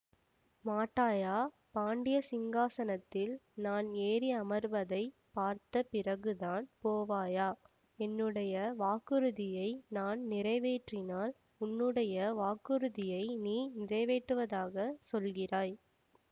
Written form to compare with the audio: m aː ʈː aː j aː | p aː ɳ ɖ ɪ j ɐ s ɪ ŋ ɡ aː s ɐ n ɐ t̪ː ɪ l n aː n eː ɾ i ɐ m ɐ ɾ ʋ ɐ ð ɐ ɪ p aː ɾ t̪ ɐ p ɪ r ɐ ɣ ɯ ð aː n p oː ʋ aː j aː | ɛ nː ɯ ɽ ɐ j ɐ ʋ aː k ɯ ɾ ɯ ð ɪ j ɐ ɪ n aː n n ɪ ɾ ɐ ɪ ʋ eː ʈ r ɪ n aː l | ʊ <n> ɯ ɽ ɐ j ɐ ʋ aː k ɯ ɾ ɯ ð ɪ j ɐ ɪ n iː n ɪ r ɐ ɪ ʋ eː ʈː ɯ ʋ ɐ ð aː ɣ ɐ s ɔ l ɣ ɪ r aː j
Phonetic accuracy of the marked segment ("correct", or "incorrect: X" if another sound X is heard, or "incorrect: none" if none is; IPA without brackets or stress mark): incorrect: nː